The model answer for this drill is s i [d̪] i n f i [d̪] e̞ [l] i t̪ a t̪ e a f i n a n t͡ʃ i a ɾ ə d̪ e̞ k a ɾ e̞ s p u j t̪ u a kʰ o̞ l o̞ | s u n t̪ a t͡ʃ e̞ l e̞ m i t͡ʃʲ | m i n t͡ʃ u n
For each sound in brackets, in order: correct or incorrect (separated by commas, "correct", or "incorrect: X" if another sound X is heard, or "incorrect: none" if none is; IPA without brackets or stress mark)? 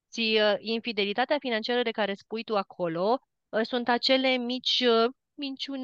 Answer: incorrect: none, correct, correct